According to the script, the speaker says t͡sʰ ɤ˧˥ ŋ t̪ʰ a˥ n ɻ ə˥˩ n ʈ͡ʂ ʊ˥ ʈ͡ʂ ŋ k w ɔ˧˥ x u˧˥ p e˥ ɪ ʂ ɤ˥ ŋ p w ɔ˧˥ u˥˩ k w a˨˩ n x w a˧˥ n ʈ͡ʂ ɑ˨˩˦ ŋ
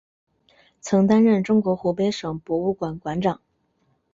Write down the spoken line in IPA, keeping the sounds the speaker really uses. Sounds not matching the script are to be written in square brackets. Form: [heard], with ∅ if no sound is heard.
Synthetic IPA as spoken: t͡sʰ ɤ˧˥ ŋ [t̪] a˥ n ɻ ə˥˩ n ʈ͡ʂ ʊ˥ [∅] ŋ k w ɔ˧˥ x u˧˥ p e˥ ɪ ʂ [ɤ˨˩] ŋ p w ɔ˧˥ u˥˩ k w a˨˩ n [k] w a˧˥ n ʈ͡ʂ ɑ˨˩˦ ŋ